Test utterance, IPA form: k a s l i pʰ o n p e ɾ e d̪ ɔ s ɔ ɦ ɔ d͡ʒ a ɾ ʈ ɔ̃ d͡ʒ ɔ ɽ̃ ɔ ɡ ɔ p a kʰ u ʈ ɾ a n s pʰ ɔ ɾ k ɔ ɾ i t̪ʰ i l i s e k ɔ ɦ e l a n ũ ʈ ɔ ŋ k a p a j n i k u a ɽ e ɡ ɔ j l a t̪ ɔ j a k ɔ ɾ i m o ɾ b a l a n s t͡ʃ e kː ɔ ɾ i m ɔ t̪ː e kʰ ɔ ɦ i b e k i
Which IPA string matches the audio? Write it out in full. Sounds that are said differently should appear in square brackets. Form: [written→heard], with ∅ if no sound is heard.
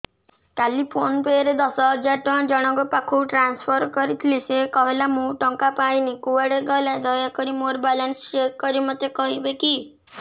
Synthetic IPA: k a [s→∅] l i pʰ o n p e ɾ e d̪ ɔ s ɔ ɦ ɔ d͡ʒ a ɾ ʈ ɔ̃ d͡ʒ ɔ ɽ̃ ɔ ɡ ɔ p a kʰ u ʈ ɾ a n s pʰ ɔ ɾ k ɔ ɾ i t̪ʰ i l i s e k ɔ ɦ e l a [n→m] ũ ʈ ɔ ŋ k a p a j n i k u a ɽ e ɡ ɔ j l a [t̪→d̪] ɔ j a k ɔ ɾ i m o ɾ b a l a n s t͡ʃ e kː ɔ ɾ i m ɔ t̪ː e [kʰ→k] ɔ ɦ i b e k i